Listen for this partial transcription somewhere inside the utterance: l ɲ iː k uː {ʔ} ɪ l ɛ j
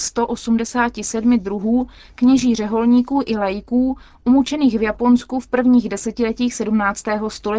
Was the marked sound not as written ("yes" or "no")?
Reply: no